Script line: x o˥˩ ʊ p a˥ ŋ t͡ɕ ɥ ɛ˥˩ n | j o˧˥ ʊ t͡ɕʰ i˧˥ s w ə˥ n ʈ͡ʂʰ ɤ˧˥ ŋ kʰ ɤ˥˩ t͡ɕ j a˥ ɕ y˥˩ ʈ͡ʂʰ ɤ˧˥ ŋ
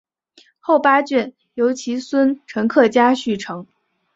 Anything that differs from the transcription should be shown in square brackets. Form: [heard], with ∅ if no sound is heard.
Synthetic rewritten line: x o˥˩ ʊ p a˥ [∅] t͡ɕ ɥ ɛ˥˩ n | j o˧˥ ʊ t͡ɕʰ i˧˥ s w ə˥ n ʈ͡ʂʰ ɤ˧˥ ŋ kʰ ɤ˥˩ t͡ɕ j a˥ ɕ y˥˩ ʈ͡ʂʰ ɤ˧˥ ŋ